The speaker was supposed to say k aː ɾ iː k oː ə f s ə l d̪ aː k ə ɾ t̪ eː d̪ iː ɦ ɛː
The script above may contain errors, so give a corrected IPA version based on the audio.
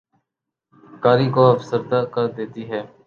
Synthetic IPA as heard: k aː ɾ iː k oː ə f s ə ɾ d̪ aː k ə ɾ d̪ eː t̪ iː ɦ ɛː